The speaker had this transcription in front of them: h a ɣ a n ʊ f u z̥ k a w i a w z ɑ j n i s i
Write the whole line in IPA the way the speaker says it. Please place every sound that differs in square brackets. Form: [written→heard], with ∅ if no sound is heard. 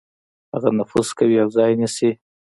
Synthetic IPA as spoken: h a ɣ a n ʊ f u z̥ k a w i a w z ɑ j n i s i